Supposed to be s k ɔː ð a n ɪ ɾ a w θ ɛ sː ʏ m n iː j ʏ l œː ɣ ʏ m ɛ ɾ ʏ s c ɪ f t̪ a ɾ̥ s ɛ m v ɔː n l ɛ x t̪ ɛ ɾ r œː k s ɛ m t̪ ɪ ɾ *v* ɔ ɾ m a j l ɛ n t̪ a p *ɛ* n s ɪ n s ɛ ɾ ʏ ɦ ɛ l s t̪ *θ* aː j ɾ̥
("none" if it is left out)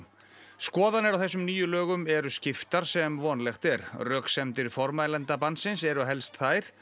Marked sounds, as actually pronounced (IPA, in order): f, a, θ

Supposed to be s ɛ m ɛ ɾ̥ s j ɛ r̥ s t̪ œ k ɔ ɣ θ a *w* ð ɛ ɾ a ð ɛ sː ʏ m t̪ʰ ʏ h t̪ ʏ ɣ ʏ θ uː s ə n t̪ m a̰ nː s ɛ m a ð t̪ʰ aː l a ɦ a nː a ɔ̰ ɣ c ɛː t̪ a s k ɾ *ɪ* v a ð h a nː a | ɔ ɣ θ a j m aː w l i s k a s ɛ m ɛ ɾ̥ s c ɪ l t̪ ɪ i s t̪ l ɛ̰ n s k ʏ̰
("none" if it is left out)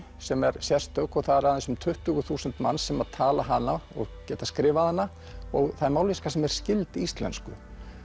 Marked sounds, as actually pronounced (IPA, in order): none, ɪː

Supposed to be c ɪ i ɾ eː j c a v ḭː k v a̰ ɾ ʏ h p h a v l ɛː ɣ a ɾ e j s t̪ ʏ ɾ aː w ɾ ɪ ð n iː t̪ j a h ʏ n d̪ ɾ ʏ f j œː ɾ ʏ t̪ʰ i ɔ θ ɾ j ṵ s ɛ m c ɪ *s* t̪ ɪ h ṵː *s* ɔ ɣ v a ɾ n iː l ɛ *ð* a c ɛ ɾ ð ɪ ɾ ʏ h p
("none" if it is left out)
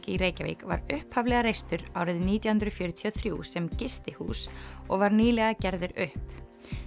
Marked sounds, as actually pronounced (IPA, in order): s, s, ɣ

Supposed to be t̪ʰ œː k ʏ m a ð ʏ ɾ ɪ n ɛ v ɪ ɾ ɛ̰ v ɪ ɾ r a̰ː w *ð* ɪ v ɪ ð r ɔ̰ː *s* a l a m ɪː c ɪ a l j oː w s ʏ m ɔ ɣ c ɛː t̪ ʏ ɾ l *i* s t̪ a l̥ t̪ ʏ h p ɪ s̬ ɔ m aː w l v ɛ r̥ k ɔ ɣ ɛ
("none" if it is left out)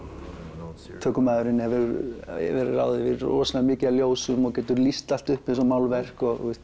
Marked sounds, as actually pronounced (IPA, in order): ð, s, i

